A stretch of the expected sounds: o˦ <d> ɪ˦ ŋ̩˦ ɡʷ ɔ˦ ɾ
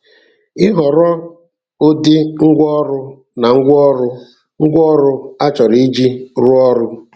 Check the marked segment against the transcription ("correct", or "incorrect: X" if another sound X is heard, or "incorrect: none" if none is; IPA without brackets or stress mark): correct